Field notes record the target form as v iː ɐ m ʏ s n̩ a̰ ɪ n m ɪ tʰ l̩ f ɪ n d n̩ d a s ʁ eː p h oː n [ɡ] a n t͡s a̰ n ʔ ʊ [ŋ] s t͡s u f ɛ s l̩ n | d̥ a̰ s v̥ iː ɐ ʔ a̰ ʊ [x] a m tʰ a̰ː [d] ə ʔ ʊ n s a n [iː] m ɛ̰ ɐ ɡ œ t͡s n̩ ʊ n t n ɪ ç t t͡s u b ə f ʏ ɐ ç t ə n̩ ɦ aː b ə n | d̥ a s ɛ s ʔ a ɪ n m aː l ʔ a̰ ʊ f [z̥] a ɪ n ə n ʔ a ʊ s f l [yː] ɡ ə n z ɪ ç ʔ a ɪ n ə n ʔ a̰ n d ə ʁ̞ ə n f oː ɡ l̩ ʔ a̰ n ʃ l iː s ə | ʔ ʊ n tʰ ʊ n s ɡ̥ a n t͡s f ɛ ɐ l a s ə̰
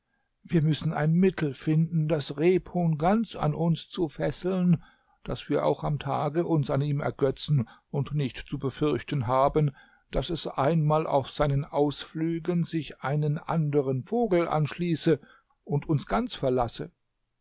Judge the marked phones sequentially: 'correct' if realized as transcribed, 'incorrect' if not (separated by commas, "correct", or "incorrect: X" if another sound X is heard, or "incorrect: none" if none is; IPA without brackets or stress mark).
correct, incorrect: n, correct, incorrect: ɡ, correct, correct, correct